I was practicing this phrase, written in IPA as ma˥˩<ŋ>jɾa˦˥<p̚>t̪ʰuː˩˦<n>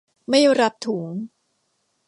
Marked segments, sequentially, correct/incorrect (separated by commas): incorrect, correct, incorrect